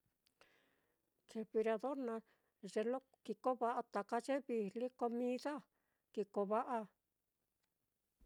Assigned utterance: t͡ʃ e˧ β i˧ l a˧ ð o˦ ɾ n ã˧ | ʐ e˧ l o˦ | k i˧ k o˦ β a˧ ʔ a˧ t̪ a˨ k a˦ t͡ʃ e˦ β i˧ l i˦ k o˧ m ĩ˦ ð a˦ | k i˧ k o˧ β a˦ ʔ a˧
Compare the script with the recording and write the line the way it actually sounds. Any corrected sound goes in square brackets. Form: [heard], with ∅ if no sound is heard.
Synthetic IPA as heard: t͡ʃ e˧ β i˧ [ɾ] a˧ ð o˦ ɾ n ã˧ | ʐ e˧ l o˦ | k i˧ k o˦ β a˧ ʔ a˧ t̪ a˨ k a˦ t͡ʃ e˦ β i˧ l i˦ k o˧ m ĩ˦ ð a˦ | k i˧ k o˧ β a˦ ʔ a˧